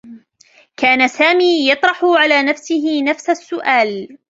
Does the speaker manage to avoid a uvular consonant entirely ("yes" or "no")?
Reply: yes